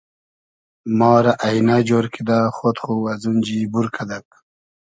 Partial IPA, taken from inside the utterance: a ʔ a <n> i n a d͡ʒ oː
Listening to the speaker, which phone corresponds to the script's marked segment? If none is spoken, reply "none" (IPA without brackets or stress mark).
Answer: none